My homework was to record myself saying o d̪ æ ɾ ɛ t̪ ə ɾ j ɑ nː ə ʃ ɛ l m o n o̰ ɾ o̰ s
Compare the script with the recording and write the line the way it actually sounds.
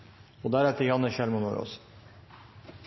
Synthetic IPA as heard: o d̪ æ ɾ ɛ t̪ ə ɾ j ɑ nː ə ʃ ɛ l m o n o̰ ɾ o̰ s

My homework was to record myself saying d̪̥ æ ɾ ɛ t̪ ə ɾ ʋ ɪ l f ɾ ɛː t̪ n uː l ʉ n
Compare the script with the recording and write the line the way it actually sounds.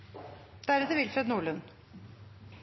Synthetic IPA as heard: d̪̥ æ ɾ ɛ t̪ ə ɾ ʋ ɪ l f ɾ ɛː d̪ n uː ɭ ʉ n

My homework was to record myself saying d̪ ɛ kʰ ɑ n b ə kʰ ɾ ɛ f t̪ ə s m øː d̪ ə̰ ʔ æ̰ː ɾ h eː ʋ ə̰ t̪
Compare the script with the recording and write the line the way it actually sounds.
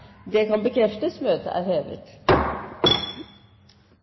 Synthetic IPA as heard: d̪ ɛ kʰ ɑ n b ə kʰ ɾ ɛ f t̪ ə s m øː t̪ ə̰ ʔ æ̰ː ɾ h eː ʋ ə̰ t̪

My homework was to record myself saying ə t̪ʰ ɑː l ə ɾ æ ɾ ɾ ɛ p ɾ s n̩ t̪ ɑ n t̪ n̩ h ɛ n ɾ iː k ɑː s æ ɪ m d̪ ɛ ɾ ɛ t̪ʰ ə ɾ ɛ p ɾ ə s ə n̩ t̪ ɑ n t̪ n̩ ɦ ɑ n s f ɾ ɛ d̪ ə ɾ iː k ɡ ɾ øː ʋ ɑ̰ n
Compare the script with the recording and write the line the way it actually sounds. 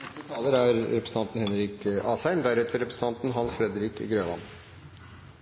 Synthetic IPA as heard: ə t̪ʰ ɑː l ə ɾ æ ɾ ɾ ɛ p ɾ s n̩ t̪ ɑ n t̪ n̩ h ɛ n ɾ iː k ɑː s æ ɪ m d̪ æ ɾ ɛ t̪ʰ ə ɾ ɛ p ɾ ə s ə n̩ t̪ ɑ n t̪ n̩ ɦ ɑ n s f ɾ ɛ d̪ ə ɾ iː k ɡ ɾ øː ʋ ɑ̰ n

